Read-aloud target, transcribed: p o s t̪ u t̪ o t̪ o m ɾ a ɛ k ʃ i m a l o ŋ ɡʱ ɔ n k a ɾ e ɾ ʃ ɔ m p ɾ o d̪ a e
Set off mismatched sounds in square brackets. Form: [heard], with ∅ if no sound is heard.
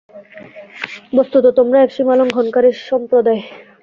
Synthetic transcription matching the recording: [b] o s t̪ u t̪ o t̪ o m ɾ a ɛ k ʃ i m a l o ŋ ɡʱ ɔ n k a ɾ e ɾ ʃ ɔ m p ɾ o d̪ a e